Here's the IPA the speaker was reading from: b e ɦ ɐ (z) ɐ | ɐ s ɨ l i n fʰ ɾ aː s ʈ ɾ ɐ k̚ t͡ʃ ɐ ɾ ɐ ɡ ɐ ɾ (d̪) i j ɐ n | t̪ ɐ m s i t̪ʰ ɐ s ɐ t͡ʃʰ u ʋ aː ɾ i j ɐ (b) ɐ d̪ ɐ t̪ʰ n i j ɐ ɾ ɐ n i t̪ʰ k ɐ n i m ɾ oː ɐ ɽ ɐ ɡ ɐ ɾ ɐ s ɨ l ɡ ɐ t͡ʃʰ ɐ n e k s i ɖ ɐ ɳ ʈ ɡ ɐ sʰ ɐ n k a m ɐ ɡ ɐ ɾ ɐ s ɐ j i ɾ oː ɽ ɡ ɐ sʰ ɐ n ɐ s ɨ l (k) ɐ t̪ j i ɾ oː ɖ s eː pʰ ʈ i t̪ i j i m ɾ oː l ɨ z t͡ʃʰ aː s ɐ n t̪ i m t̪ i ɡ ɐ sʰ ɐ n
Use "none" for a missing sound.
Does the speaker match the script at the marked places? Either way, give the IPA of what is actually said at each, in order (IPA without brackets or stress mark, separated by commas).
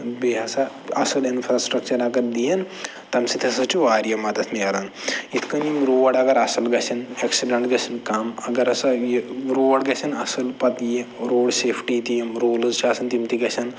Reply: s, d̪, m, p